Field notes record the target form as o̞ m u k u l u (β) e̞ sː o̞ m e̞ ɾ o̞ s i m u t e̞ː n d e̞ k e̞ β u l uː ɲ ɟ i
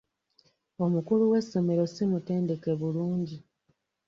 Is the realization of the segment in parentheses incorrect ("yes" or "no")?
yes